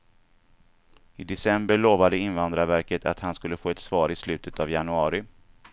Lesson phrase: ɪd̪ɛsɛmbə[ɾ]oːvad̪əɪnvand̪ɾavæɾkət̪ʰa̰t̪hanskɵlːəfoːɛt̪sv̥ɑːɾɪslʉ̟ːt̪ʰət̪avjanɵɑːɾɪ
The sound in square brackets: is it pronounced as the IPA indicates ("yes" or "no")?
no